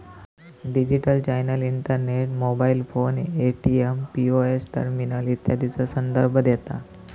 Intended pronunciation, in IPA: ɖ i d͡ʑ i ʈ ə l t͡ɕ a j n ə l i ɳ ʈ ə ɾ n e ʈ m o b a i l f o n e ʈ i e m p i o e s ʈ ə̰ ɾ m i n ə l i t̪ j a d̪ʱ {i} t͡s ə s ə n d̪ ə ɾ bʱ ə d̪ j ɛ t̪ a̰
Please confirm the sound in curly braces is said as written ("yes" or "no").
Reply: yes